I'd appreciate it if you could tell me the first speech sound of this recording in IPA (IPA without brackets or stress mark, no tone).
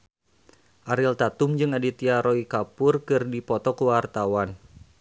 ʔ